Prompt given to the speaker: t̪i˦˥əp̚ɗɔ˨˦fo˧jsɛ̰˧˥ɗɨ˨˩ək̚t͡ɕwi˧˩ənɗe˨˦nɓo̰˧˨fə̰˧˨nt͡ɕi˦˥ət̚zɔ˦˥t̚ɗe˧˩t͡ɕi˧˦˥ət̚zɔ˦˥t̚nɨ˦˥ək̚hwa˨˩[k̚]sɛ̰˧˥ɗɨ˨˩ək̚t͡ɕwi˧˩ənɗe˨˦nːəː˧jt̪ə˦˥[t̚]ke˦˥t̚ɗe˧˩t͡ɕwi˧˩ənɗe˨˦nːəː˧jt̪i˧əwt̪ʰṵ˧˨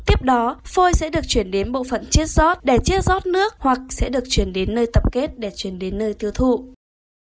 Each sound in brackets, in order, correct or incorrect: correct, incorrect

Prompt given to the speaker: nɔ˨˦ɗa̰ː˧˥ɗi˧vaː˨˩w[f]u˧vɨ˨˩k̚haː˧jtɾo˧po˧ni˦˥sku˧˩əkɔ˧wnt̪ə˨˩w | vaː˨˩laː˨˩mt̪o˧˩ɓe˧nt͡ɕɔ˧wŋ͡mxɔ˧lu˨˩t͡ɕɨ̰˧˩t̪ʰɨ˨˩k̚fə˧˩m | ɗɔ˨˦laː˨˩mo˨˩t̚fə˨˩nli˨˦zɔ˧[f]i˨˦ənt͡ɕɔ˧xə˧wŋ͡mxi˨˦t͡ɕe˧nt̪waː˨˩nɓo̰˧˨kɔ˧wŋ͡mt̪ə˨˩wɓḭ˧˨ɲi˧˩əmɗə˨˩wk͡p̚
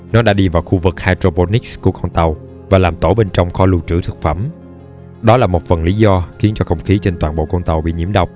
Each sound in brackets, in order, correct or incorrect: incorrect, incorrect

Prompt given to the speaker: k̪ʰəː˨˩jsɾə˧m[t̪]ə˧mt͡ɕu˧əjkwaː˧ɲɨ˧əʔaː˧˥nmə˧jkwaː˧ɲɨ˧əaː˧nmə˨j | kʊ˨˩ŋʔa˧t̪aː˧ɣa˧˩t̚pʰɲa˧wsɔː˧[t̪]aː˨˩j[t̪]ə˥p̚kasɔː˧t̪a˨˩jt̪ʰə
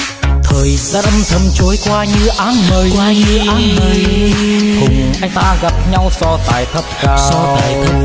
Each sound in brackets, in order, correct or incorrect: incorrect, correct, incorrect

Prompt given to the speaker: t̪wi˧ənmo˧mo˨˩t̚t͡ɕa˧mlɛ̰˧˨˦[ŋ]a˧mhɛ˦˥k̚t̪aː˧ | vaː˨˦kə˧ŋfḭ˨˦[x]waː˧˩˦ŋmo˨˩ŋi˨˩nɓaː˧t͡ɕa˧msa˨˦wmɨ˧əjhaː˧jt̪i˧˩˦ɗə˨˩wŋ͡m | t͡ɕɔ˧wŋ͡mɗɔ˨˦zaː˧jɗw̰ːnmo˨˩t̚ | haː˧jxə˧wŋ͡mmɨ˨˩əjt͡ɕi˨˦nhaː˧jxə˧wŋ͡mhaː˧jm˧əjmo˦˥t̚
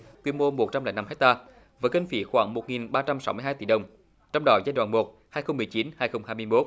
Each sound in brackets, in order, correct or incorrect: incorrect, correct

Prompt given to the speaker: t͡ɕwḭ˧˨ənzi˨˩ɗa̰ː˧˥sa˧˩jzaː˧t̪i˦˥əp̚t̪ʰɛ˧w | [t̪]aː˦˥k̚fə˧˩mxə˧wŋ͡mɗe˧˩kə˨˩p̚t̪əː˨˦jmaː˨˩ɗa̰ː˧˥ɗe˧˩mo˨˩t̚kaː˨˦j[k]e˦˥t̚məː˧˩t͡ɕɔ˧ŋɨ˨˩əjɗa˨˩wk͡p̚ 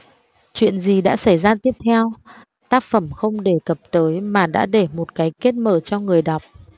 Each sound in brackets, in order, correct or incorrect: correct, correct

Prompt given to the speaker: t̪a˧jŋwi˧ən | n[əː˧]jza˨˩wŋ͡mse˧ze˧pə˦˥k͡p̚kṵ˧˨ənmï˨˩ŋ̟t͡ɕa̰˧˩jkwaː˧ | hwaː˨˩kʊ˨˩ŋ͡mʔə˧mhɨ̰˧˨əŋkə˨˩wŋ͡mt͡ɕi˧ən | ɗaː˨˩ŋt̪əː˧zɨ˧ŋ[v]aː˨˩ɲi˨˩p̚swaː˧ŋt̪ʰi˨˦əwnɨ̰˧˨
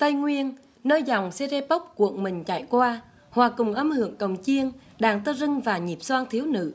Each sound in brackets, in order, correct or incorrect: correct, correct

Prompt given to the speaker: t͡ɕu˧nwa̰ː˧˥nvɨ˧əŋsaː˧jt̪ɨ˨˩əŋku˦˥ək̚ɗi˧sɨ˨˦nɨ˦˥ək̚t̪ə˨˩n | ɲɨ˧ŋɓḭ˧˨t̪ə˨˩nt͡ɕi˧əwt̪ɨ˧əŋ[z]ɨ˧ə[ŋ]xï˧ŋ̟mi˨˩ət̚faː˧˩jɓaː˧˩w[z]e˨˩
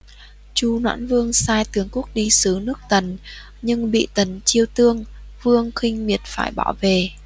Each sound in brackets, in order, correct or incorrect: incorrect, correct, incorrect

